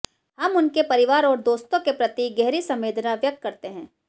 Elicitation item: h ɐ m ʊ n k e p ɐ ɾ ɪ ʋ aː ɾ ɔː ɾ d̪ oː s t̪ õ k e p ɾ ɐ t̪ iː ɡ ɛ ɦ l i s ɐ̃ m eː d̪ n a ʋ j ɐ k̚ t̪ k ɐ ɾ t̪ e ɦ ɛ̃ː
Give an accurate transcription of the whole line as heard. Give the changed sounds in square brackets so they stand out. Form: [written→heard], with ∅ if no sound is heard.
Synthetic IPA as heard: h ɐ m ʊ n k e p ɐ ɾ ɪ ʋ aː ɾ ɔː ɾ d̪ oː s t̪ õ k e p ɾ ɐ t̪ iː ɡ ɛ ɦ [l→ɾ] i s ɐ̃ m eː d̪ n a ʋ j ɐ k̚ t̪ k ɐ ɾ t̪ e ɦ ɛ̃ː